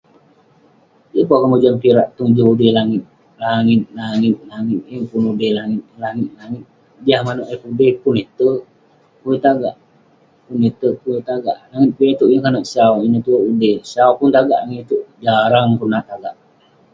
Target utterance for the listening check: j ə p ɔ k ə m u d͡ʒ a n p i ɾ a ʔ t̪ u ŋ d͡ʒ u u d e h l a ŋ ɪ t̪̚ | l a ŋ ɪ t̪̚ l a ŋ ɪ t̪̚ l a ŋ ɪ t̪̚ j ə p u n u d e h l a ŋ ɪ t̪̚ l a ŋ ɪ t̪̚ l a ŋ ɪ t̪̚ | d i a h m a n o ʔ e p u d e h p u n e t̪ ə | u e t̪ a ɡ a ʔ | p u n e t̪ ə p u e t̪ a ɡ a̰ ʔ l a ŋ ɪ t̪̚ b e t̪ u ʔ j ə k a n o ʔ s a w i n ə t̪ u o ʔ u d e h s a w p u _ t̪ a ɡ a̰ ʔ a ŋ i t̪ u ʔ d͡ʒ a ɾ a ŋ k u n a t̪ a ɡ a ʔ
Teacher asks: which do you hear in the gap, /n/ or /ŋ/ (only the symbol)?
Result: n